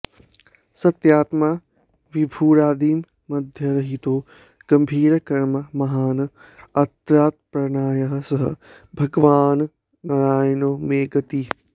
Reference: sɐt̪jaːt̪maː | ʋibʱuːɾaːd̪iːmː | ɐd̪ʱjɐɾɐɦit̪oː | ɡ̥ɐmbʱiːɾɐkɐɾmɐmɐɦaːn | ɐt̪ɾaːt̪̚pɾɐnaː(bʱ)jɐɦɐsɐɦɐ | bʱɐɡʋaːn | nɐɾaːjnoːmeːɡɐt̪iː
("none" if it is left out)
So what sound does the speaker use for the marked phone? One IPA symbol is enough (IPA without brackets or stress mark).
none